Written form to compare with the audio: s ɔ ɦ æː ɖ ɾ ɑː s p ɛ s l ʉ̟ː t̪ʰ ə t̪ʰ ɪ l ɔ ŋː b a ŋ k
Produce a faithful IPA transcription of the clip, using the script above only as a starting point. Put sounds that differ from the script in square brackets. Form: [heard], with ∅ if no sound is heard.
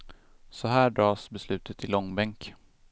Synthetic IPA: s ɔ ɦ æː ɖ ɾ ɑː s [b] ɛ s l ʉ̟ː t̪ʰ ə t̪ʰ ɪ l ɔ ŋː b [ɛ] ŋ k